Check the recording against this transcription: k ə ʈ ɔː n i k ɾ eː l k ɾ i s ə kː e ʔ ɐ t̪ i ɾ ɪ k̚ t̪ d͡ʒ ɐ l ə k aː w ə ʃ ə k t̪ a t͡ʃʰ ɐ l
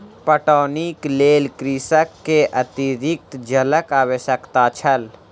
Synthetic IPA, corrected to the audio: p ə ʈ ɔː n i k l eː l k ɾ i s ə kː e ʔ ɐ t̪ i ɾ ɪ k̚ t̪ d͡ʒ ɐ l ə k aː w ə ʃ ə k t̪ a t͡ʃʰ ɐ l